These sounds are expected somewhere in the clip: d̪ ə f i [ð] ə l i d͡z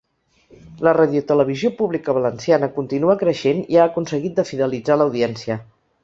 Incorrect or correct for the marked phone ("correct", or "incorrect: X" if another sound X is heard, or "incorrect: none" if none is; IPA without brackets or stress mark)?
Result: correct